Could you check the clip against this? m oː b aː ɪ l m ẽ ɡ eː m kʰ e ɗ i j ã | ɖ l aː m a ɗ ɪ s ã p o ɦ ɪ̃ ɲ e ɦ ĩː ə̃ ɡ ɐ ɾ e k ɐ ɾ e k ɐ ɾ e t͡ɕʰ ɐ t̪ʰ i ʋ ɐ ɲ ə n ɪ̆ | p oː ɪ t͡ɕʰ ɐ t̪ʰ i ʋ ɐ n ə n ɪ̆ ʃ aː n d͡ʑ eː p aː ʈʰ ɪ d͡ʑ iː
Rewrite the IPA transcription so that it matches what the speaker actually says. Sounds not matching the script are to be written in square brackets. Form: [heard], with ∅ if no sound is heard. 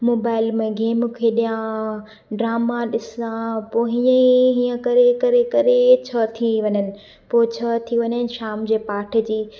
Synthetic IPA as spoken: m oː b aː ɪ l m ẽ ɡ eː m kʰ e ɗ i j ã | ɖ [ɾ] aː m a ɗ ɪ s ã p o ɦ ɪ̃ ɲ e ɦ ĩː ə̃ [k] ɐ ɾ e k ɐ ɾ e k ɐ ɾ e t͡ɕʰ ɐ t̪ʰ i ʋ ɐ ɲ ə n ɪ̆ | p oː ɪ t͡ɕʰ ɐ t̪ʰ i ʋ ɐ [ɲ] ə n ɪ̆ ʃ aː [m] d͡ʑ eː p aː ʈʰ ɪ d͡ʑ iː